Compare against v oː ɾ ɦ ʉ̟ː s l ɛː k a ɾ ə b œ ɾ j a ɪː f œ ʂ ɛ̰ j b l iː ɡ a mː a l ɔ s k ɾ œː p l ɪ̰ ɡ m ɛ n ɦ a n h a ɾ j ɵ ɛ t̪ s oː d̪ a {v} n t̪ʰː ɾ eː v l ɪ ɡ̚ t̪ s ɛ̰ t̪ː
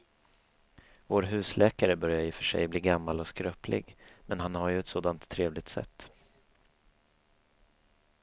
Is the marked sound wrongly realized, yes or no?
yes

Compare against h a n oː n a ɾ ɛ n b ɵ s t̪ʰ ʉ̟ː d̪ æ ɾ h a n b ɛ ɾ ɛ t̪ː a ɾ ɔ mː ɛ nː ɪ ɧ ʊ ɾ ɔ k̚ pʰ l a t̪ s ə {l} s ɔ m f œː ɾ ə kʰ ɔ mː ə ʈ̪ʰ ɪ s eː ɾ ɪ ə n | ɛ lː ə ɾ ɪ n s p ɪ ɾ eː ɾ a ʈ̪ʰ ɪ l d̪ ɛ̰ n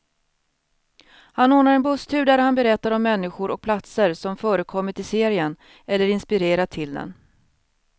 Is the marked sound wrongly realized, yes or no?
yes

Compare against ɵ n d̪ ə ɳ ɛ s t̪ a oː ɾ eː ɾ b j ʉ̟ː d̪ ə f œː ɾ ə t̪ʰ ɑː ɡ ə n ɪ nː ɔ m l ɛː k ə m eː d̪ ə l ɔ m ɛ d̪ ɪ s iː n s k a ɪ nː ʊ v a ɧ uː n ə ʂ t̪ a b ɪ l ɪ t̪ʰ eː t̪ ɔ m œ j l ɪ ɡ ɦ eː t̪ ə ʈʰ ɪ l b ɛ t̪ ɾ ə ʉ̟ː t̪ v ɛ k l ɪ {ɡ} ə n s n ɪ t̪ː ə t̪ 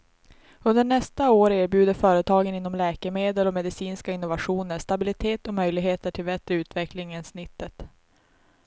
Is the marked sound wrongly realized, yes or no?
yes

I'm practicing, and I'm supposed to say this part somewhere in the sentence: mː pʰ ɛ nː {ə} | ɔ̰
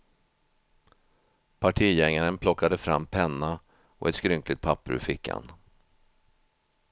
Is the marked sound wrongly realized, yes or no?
yes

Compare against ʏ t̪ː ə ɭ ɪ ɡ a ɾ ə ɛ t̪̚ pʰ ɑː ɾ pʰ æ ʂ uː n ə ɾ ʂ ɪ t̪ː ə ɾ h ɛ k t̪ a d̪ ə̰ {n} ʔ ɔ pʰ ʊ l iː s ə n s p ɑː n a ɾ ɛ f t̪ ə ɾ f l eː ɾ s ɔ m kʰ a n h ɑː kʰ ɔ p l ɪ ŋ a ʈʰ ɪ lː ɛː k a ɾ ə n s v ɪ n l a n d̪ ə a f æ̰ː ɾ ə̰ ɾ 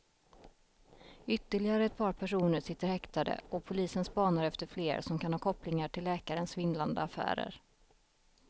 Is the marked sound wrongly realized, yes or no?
yes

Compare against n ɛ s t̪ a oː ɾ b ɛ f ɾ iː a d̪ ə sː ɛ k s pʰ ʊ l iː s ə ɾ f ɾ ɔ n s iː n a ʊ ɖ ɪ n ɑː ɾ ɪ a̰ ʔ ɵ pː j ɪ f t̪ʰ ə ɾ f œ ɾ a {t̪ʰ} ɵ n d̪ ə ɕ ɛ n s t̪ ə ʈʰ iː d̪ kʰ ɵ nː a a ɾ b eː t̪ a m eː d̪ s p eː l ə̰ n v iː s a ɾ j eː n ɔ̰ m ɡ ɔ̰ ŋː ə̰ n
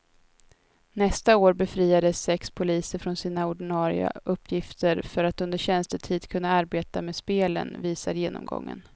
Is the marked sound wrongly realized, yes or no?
yes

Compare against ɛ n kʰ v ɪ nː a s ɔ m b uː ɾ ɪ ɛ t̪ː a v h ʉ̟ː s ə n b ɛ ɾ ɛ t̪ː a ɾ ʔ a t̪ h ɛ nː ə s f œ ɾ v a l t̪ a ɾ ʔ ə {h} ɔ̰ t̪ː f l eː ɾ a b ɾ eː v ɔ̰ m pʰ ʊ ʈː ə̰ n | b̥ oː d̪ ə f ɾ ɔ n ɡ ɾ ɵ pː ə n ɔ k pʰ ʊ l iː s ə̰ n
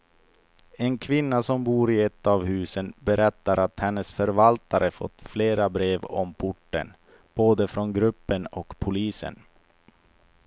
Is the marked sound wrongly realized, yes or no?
yes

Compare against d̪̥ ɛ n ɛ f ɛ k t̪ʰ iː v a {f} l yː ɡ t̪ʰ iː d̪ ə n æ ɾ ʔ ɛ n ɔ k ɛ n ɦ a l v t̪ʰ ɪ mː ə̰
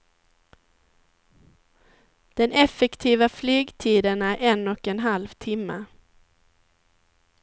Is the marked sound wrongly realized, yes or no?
no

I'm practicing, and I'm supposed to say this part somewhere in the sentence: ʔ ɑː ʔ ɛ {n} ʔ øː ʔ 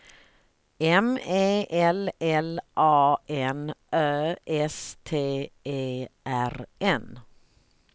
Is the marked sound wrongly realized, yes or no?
no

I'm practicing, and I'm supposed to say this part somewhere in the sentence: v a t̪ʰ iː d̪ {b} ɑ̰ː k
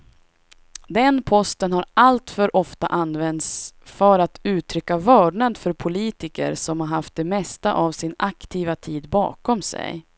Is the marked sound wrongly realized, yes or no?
no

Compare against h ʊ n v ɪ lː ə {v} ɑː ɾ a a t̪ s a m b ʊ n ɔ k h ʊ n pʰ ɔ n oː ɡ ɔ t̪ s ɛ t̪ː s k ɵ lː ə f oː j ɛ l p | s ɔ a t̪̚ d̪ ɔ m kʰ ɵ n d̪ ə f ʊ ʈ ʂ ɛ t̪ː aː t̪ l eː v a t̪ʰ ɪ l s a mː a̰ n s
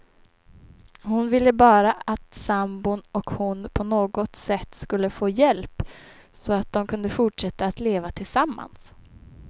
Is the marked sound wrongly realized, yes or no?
yes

